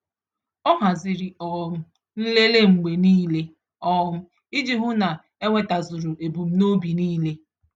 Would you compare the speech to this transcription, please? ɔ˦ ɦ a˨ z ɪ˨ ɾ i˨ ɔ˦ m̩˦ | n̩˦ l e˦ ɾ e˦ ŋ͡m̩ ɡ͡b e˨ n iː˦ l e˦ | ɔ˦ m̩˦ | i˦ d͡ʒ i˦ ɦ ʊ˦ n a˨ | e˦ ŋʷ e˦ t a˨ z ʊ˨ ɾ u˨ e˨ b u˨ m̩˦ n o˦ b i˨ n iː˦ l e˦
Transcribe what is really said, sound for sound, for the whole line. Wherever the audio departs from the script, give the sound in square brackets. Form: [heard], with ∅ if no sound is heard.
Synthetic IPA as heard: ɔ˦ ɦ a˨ z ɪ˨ ɾ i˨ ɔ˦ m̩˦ | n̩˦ l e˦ [l] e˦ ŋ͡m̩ ɡ͡b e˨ n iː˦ l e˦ | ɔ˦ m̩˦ | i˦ d͡ʒ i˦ ɦ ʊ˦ n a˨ | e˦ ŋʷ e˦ t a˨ z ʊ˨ ɾ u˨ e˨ b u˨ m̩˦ n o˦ b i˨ n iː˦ l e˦

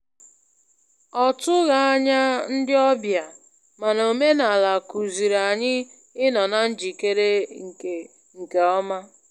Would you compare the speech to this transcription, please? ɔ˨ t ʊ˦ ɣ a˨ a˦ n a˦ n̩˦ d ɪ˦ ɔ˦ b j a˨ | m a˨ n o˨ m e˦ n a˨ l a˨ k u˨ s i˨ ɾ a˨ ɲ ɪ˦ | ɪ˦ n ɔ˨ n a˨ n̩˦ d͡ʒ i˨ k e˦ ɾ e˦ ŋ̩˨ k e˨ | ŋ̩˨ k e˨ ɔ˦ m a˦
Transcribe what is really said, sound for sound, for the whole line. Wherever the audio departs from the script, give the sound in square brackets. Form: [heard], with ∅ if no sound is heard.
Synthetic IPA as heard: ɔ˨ t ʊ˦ ɣ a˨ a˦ [ɲ] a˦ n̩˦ d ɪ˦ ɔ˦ b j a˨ | m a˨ n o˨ m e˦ n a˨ l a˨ k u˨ [z] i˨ ɾ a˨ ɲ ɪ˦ | ɪ˦ n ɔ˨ n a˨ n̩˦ d͡ʒ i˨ k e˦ ɾ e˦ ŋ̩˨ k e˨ | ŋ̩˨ k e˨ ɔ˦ m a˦

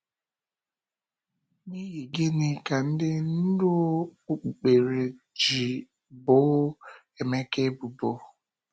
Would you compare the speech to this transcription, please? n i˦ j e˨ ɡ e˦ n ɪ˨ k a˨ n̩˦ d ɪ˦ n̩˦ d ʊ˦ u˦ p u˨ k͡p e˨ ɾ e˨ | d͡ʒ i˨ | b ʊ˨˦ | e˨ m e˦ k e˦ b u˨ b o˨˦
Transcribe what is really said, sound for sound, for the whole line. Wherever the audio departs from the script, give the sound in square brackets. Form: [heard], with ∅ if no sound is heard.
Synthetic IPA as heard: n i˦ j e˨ ɡ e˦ n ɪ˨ k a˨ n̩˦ d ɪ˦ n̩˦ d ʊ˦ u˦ [k͡p] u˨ k͡p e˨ ɾ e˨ | d͡ʒ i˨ | b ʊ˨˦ | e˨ m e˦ k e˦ b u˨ b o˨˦

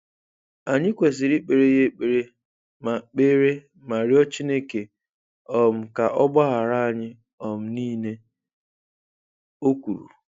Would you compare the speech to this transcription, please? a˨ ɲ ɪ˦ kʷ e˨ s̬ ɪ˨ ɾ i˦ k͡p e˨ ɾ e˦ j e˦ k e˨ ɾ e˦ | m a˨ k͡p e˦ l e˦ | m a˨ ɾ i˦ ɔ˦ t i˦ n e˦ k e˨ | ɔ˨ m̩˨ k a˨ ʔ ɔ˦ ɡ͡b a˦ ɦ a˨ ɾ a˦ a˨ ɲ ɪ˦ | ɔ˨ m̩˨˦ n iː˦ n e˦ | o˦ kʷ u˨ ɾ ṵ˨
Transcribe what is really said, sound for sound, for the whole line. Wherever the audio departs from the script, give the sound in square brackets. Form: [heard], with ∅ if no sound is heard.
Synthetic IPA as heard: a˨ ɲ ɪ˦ kʷ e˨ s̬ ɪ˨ ɾ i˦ k͡p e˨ ɾ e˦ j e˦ [k͡p] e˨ ɾ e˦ | m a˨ k͡p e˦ [ɾ] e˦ | m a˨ ɾ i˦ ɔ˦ [t͡ʃ] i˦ n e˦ k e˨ | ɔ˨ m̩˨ k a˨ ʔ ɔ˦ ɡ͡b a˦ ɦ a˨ ɾ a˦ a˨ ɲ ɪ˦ | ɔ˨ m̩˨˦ n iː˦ n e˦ | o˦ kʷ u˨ ɾ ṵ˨

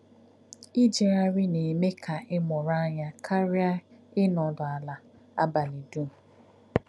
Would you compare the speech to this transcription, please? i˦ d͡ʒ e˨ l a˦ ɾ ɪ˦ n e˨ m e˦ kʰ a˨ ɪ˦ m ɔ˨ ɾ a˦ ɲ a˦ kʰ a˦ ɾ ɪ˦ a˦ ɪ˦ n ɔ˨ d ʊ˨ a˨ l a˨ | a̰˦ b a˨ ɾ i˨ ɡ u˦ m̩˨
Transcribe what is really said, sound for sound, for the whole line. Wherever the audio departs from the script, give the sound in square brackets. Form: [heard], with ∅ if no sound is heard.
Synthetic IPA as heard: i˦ d͡ʒ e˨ [ɾ] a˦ ɾ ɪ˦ n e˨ m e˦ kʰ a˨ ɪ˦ m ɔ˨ ɾ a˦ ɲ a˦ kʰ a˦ ɾ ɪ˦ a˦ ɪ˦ n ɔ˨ d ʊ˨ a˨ l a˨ | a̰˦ b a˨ [l] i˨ [d] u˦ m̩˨

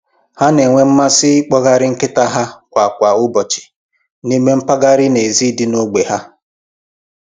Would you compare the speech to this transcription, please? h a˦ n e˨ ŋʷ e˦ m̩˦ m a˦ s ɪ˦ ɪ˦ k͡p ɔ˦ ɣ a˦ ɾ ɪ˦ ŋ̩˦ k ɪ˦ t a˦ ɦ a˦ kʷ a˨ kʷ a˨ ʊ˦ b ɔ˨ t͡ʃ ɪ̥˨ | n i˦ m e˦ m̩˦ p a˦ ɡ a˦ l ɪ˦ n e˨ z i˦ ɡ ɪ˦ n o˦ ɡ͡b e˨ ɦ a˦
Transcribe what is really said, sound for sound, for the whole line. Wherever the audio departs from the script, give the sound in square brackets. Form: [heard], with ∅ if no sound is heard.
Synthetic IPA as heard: h a˦ n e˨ ŋʷ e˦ m̩˦ m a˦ s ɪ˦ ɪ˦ k͡p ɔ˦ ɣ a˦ ɾ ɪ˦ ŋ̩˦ k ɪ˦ t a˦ ɦ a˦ kʷ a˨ kʷ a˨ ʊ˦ b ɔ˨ t͡ʃ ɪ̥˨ | n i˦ m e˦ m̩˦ p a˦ ɡ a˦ [ɾ] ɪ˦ n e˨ z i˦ [d] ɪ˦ n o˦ ɡ͡b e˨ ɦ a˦

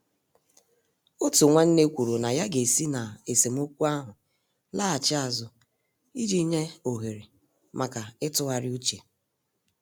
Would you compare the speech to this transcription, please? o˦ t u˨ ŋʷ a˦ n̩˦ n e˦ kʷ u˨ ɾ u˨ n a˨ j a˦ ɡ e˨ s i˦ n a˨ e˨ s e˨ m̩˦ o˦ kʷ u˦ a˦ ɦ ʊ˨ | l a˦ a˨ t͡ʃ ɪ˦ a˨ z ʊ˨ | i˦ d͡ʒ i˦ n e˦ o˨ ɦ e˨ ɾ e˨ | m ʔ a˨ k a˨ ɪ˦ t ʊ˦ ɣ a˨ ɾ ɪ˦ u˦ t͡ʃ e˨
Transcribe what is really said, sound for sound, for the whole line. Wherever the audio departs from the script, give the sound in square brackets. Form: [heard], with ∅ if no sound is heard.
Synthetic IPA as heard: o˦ t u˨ ŋʷ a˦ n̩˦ n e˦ kʷ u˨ ɾ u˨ n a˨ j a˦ ɡ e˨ s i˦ n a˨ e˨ s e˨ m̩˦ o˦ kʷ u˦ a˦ ɦ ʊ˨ | l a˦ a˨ t͡ʃ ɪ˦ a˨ z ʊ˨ | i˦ d͡ʒ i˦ [ɲ] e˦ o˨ ɦ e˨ ɾ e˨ | m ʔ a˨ k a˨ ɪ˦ t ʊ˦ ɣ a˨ ɾ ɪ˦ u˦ t͡ʃ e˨

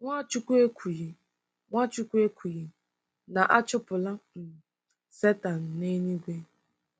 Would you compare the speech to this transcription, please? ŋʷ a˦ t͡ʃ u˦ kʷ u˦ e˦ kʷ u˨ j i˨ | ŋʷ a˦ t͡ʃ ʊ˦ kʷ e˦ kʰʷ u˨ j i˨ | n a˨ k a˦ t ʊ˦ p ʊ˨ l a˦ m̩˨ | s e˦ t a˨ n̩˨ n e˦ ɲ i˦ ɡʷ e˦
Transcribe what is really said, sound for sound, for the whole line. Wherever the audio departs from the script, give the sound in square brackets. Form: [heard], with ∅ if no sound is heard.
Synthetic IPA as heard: ŋʷ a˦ t͡ʃ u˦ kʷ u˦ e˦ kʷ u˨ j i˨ | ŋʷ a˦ t͡ʃ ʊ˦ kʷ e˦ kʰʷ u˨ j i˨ | n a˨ [ʔ] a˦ [t͡ʃ] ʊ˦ p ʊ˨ l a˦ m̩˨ | s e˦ t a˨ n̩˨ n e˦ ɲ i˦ ɡʷ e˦

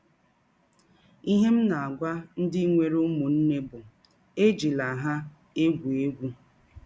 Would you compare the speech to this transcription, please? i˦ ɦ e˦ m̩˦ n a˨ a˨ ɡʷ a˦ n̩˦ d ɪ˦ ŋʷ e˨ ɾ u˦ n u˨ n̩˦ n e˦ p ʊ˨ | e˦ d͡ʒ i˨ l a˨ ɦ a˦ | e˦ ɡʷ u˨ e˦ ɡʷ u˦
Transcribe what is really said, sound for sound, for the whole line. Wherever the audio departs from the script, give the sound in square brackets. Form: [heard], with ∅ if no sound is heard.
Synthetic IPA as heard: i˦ ɦ e˦ m̩˦ n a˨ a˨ ɡʷ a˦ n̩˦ d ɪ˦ ŋʷ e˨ ɾ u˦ [m] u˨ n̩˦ n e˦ [b] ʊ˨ | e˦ d͡ʒ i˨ l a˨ ɦ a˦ | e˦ ɡʷ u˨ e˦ ɡʷ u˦

